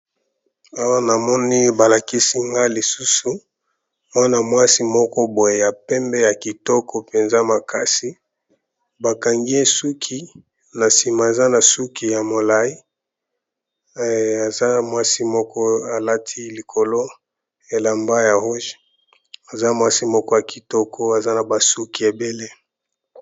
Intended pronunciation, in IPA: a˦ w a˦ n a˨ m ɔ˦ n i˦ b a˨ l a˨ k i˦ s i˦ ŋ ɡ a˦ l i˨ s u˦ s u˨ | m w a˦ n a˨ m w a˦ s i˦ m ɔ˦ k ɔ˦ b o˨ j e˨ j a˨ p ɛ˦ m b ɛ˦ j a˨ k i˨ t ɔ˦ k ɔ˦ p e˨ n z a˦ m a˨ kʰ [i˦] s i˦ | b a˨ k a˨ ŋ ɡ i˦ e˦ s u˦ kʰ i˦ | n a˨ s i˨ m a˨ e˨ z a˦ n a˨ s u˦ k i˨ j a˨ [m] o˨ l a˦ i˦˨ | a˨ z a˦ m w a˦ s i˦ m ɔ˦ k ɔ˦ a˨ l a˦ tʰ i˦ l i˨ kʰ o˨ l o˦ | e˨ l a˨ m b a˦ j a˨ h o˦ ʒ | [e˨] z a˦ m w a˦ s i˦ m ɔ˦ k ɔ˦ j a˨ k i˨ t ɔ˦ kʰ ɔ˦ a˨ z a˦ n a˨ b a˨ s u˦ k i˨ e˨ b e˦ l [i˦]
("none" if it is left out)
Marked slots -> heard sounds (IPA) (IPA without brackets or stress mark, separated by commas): a˦, m, a˨, e˦